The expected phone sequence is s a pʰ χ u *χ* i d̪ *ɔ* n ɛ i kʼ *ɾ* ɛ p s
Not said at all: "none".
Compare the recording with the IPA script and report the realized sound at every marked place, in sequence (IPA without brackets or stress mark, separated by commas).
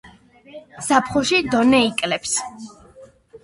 ʃ, ɔ, l